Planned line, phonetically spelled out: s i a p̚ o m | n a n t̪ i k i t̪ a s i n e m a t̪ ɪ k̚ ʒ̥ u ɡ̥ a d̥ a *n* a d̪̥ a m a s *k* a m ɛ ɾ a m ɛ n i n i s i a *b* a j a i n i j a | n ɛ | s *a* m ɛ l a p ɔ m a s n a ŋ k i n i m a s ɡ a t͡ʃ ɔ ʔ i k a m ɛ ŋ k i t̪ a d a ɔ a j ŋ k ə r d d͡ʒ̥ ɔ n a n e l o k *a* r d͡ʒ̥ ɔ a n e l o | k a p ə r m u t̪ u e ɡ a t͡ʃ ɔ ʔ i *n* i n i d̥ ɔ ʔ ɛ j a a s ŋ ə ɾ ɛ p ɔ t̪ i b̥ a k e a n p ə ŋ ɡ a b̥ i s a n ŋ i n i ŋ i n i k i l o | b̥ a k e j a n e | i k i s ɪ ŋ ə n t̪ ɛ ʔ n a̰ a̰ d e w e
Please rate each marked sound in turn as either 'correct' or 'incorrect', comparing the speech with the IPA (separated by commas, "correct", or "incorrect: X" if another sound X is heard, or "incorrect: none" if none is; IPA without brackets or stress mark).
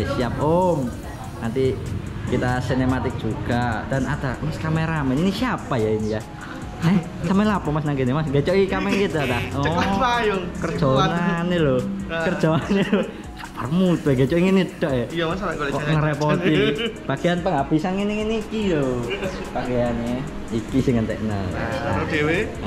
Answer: correct, correct, incorrect: p, correct, incorrect: ə, incorrect: ŋ